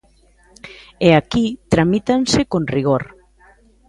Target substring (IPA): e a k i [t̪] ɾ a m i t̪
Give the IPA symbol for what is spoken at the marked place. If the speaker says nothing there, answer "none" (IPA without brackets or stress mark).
t̪